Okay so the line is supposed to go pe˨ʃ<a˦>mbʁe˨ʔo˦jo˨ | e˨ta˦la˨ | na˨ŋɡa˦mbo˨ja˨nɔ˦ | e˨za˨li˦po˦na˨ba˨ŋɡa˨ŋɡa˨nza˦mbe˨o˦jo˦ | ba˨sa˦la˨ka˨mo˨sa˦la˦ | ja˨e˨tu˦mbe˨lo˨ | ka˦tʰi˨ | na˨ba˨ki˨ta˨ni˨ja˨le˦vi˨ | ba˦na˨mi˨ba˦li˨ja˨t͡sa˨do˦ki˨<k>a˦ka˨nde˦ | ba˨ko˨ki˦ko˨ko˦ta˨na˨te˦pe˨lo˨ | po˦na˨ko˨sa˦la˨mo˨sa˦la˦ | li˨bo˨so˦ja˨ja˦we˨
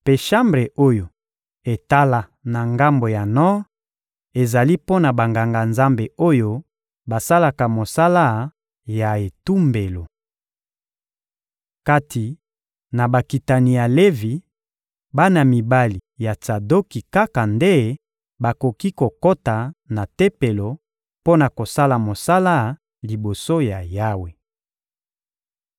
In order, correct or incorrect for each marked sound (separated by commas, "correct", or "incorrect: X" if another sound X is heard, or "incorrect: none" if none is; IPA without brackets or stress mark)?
correct, correct